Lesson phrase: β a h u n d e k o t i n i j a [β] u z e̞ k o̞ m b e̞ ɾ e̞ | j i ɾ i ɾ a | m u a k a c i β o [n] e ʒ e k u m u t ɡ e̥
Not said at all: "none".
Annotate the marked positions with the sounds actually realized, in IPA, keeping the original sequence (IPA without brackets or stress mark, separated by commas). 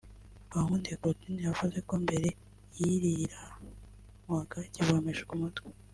v, m